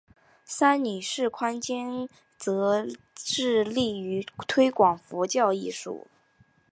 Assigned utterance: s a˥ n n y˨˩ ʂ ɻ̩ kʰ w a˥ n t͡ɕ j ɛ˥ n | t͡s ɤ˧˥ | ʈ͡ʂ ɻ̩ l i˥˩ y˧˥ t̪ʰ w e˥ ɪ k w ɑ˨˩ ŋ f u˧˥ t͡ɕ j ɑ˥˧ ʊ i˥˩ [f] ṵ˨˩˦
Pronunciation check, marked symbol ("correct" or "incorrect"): incorrect